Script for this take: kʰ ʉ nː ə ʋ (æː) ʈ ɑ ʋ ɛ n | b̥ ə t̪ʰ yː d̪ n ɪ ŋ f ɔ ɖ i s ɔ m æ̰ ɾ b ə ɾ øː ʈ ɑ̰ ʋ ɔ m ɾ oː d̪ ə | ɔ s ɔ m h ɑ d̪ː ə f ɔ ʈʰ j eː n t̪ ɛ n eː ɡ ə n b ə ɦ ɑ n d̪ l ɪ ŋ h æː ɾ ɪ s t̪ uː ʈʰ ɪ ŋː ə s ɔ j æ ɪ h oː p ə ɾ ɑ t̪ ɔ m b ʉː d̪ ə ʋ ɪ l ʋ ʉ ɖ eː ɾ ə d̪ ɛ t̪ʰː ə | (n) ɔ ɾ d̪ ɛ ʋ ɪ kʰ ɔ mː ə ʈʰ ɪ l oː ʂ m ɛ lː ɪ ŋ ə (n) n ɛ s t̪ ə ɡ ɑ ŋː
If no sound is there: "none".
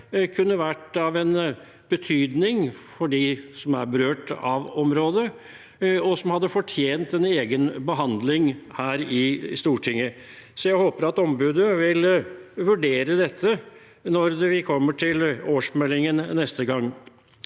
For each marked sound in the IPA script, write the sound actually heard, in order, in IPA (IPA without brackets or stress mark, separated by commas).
æ, n, n